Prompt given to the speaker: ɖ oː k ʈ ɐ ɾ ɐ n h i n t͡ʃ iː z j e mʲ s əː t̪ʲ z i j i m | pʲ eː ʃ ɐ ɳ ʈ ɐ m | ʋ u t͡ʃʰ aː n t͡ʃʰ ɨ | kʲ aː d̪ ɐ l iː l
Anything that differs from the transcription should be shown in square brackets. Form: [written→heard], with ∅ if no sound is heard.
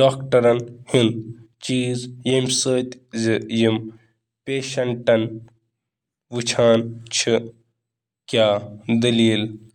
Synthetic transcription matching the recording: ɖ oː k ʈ ɐ ɾ ɐ n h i n t͡ʃ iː z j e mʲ s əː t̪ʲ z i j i m | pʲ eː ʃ ɐ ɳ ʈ ɐ [m→n] | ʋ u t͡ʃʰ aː n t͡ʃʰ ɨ | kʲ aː d̪ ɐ l iː l